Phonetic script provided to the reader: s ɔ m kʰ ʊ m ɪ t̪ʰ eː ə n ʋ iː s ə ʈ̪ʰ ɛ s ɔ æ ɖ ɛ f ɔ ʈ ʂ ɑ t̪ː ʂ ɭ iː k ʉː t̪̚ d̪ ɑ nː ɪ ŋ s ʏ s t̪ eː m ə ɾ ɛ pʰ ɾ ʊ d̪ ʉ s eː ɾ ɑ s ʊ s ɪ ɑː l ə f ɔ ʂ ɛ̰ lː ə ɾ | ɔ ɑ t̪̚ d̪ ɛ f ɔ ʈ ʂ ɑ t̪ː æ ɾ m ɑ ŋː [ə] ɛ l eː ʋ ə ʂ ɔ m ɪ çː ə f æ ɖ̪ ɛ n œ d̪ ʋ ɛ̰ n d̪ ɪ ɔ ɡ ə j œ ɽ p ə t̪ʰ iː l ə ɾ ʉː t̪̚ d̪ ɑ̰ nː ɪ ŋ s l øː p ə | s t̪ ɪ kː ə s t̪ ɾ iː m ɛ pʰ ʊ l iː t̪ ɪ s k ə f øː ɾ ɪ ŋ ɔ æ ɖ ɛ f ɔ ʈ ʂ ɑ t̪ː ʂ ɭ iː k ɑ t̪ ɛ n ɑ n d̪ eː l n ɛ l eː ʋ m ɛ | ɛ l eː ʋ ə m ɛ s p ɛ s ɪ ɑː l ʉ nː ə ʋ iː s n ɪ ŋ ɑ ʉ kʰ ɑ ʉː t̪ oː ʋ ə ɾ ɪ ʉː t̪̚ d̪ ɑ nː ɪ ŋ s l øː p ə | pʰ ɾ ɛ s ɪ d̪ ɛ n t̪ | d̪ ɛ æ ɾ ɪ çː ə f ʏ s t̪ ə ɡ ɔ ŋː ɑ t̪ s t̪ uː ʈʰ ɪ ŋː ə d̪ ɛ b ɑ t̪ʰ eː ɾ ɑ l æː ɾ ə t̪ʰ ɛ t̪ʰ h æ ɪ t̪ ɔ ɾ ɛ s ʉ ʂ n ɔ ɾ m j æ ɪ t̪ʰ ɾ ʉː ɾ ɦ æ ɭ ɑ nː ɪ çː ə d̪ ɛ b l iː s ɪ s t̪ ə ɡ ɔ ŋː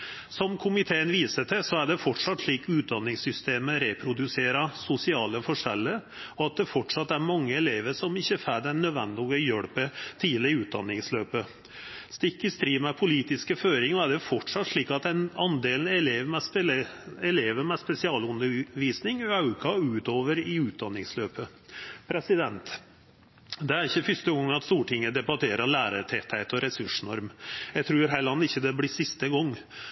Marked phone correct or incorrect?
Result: correct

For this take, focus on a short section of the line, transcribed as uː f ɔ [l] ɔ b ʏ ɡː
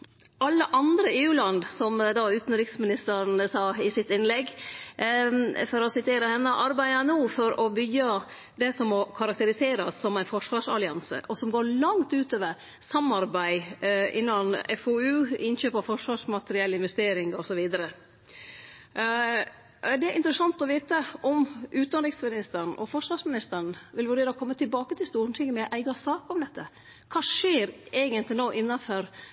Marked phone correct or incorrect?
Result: incorrect: ɾ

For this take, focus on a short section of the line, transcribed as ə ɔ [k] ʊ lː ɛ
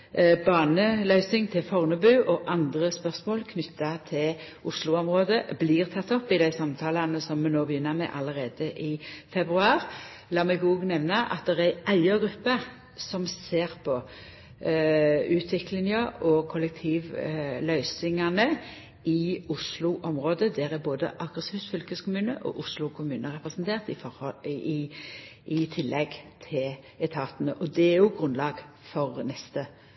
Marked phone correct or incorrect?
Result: incorrect: kʰ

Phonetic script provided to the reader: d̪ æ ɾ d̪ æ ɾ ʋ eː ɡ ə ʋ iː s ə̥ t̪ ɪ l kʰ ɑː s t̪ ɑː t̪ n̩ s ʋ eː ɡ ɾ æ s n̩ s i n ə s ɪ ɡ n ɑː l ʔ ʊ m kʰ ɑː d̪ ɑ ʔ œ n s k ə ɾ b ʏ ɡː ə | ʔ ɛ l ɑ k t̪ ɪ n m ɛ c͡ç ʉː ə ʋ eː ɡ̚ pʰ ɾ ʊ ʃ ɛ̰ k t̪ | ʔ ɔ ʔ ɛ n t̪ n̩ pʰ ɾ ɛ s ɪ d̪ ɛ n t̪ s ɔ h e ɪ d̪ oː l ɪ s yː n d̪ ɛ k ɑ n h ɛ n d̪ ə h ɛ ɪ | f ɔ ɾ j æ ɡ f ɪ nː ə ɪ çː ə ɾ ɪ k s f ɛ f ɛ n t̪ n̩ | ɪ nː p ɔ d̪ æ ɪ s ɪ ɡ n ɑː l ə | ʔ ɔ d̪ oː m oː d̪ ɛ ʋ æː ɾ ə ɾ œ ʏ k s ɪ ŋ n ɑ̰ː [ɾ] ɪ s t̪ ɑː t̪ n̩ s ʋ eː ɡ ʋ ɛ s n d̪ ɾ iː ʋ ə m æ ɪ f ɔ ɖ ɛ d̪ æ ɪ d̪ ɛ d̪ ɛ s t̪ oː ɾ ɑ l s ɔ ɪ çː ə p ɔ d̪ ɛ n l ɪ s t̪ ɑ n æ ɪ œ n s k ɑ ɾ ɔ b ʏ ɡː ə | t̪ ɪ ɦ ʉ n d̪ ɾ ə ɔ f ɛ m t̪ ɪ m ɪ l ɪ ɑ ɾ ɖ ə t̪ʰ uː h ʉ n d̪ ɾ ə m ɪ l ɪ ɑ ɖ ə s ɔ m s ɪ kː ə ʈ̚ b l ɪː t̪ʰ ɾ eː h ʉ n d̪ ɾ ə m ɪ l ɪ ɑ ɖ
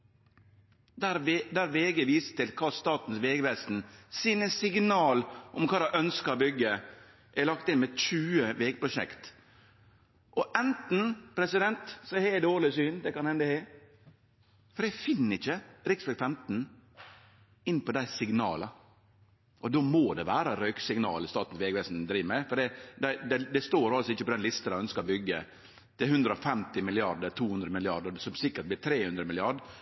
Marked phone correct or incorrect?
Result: incorrect: l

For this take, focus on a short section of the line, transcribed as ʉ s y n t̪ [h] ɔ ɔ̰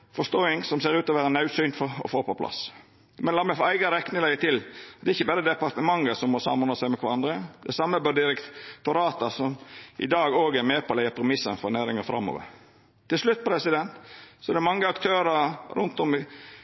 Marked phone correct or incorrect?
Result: incorrect: f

